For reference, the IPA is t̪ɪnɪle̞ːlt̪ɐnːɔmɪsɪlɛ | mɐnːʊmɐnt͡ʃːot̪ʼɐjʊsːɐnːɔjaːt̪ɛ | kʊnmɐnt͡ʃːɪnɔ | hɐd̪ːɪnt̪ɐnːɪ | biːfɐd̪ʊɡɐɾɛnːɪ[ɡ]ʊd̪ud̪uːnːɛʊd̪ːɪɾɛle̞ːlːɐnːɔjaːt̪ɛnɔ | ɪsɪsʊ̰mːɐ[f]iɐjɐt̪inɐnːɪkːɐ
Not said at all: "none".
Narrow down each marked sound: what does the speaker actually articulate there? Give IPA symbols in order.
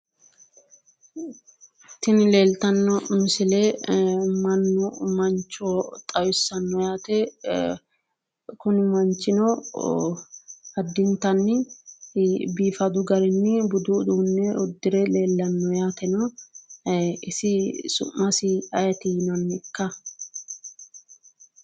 b, s

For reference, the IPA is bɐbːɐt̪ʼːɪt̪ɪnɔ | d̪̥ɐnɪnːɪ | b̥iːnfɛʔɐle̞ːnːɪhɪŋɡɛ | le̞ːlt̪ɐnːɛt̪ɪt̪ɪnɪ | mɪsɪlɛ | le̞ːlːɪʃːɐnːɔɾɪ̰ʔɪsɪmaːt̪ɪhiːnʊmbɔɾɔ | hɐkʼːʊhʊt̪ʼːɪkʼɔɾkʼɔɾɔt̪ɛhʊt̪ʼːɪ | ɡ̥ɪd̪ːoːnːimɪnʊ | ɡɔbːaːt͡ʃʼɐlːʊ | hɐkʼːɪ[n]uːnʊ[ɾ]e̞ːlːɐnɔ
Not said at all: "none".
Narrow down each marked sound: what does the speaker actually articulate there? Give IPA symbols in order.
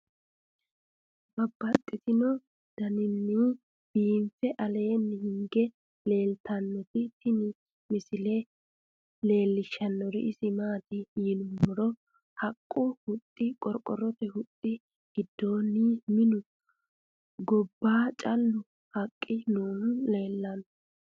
n, l

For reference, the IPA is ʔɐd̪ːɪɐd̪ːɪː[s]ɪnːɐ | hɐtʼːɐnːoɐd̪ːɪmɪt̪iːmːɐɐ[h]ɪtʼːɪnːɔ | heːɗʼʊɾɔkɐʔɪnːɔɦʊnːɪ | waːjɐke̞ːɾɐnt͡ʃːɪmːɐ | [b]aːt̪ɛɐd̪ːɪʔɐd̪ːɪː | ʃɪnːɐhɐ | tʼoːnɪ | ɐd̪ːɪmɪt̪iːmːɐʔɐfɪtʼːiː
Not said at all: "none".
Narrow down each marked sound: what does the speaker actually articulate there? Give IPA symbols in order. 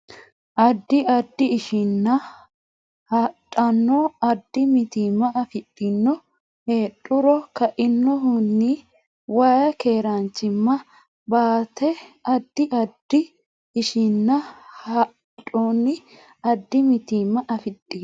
ʃ, f, b

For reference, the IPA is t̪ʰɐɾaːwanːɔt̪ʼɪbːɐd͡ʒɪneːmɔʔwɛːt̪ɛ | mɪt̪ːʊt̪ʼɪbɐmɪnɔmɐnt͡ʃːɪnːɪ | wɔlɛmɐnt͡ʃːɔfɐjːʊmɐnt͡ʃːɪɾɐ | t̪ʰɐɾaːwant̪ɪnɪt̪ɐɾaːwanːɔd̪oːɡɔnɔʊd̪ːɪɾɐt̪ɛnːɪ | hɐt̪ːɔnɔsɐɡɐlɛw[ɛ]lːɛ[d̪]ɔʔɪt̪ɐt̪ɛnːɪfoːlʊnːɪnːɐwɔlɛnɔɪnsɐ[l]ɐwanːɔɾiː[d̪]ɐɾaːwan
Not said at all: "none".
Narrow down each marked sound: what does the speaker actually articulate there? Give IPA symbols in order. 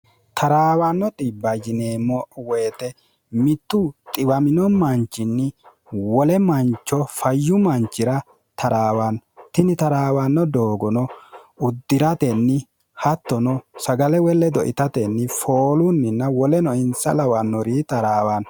ɛ, d̪, l, t̪

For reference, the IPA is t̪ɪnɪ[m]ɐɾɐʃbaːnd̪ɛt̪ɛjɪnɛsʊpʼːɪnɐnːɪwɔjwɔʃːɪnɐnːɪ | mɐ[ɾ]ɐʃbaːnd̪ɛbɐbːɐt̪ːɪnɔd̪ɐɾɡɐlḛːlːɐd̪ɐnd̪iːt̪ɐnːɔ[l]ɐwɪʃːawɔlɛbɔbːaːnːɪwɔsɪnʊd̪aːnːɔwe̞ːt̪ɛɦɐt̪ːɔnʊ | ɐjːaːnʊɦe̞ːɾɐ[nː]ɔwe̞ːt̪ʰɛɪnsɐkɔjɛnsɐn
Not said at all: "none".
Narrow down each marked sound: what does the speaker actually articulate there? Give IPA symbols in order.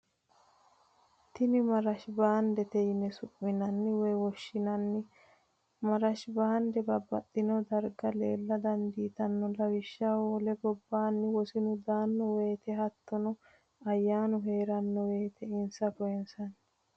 m, ɾ, l, nː

